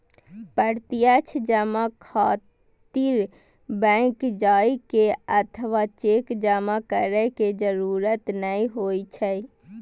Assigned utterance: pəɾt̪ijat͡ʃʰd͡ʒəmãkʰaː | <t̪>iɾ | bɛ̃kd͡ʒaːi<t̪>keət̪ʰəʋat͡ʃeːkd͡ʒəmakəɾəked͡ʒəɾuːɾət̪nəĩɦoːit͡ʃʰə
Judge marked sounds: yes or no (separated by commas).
yes, no